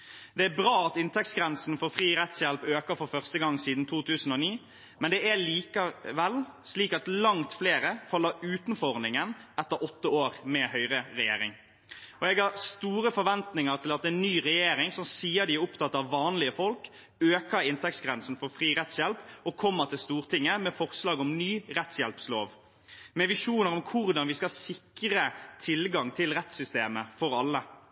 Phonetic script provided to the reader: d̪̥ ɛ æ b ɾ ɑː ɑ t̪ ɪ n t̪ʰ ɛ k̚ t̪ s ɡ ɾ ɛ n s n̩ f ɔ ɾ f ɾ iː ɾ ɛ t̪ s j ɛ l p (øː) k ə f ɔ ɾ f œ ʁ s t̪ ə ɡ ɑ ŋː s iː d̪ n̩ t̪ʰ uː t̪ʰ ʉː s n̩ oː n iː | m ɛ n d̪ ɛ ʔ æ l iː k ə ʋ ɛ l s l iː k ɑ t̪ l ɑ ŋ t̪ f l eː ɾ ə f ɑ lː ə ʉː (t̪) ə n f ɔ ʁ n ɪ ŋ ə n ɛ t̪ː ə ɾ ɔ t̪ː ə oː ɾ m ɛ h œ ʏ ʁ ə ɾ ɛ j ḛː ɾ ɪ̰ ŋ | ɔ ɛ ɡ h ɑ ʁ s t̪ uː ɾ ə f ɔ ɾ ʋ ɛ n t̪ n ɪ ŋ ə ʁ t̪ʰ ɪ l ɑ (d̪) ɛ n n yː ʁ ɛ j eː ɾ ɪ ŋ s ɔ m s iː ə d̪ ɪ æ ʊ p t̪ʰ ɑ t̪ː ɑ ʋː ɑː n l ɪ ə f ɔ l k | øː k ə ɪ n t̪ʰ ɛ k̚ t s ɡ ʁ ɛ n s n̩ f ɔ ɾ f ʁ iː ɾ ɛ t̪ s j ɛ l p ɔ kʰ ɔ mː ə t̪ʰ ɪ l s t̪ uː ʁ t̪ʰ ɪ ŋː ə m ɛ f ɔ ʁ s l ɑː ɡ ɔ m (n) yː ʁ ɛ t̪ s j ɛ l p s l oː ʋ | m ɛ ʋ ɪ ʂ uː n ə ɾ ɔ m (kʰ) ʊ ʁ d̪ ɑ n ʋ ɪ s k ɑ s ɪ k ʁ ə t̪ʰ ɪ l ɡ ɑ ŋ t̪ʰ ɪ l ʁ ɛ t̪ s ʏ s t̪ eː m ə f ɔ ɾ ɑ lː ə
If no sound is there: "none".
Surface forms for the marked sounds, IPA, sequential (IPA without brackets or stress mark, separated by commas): øː, t̪, t̪, n, kʰ